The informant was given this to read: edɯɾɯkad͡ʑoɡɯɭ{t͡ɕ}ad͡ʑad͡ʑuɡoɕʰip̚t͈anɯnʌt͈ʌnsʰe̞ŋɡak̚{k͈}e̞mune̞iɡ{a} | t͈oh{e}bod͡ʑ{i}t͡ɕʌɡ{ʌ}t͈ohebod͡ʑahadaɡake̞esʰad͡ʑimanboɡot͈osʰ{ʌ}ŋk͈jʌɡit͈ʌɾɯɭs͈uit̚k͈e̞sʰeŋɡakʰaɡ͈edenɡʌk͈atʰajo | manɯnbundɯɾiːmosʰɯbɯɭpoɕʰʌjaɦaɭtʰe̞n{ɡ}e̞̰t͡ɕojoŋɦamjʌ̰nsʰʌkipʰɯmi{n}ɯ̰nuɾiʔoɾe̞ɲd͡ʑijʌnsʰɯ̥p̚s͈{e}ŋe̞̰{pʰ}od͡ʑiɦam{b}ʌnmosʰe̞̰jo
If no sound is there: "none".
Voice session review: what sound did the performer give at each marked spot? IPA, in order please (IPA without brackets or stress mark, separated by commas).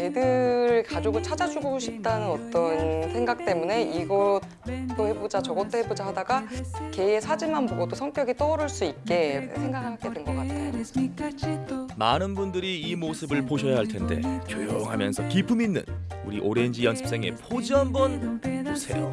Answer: t͡ɕʰ, t͈, ʌ, e, a, ʌ, ʌ, d, nː, e, pʰ, b